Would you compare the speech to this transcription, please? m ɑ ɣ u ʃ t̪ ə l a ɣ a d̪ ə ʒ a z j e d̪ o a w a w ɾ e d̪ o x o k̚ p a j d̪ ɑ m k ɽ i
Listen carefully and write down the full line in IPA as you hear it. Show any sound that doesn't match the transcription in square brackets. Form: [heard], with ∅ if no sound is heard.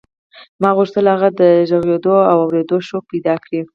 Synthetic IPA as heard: m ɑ ɣ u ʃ t̪ ə l a ɣ a d̪ ə ʒ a [ɣ] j e d̪ o a w a w ɾ e d̪ o [ʃ] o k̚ p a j d̪ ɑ [∅] k ɽ i